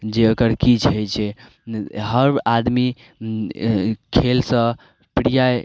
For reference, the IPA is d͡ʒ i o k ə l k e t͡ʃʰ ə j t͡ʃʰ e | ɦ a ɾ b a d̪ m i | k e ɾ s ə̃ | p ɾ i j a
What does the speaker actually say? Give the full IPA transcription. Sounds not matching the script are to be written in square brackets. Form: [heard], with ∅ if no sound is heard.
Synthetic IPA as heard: d͡ʒ [e] o k ə [ɾ] k [i] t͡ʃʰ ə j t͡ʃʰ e | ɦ [ə] ɾ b a d̪ m i | [kʰ] e [l] s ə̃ | p ɾ i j a